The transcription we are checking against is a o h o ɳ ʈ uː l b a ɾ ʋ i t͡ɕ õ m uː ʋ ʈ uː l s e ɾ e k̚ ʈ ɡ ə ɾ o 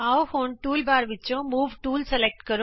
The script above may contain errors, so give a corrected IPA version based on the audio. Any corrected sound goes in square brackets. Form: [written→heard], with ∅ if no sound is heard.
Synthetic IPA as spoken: a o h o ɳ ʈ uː l b a ɾ ʋ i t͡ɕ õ m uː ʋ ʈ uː l s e [ɾ→l] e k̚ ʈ [ɡ→k] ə ɾ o

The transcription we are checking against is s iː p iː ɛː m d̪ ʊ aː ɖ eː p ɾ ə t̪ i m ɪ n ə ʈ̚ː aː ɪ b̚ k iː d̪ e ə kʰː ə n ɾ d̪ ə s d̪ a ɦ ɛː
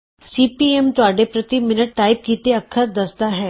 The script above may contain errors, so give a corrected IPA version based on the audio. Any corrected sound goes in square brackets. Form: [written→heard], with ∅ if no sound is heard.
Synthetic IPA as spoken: s iː p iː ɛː m [d̪→t̪] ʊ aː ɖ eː p ɾ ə t̪ i m ɪ n ə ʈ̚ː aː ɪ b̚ k iː [d̪→t̪] e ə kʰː ə [n→∅] ɾ d̪ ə s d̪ a ɦ ɛː

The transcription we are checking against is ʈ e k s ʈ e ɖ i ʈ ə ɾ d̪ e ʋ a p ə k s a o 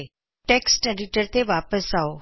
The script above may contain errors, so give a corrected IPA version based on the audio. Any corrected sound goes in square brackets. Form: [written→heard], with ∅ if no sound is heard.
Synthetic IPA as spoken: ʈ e k s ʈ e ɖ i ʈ ə ɾ [d̪→t̪] e ʋ a p ə [k→∅] s a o

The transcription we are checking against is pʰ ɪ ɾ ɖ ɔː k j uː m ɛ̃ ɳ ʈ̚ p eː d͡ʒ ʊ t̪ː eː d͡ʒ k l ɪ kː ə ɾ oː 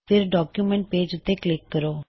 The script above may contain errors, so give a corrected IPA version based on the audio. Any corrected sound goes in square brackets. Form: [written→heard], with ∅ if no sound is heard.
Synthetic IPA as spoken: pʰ ɪ ɾ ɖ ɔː k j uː m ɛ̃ ɳ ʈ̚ p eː d͡ʒ ʊ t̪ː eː [d͡ʒ→∅] k l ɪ kː ə ɾ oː

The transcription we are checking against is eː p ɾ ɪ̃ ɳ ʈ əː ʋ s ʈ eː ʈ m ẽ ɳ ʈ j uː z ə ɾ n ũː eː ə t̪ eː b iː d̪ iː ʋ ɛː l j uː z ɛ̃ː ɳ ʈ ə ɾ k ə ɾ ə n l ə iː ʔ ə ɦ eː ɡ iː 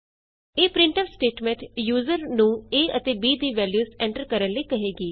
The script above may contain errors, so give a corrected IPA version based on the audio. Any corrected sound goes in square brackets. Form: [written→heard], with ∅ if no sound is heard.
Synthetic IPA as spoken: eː p ɾ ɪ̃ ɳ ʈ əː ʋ s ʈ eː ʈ m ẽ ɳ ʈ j uː z ə ɾ n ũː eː ə t̪ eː b iː d̪ iː ʋ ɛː l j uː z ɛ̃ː ɳ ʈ ə ɾ k ə ɾ ə n l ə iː [ʔ→k] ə ɦ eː ɡ iː

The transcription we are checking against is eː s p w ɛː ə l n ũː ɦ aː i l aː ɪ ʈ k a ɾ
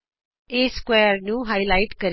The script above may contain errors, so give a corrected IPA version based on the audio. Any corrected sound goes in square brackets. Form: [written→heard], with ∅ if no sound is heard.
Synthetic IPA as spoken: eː s [p→k] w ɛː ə [l→ɾ] n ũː ɦ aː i l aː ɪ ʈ k [a→ə] ɾ

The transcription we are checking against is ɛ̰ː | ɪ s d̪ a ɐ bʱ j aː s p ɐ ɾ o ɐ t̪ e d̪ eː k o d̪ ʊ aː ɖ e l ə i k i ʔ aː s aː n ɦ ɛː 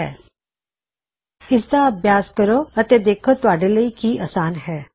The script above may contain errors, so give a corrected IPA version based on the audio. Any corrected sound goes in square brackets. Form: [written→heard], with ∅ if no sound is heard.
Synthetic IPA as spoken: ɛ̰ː | ɪ s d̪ a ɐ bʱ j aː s [p→k] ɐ ɾ o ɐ t̪ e d̪ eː [k→kʰ] o [d̪→t̪] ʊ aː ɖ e l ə i k i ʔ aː s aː n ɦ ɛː

